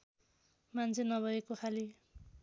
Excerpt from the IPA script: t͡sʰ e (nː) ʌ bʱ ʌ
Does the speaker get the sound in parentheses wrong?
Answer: yes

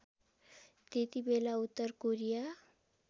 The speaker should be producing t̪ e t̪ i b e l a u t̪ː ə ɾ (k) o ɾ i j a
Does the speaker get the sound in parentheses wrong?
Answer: no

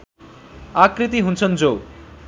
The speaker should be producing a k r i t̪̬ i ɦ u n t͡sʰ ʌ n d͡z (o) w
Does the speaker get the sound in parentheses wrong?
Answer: no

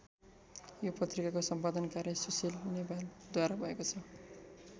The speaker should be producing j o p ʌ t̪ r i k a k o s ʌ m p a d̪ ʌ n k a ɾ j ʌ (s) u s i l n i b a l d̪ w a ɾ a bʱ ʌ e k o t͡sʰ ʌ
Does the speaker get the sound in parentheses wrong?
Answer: no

